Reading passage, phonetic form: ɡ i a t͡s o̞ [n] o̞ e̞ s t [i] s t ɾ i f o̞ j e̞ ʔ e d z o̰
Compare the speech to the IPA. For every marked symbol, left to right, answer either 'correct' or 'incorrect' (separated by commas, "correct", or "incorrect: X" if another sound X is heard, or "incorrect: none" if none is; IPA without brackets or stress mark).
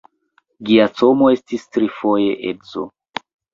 incorrect: m, correct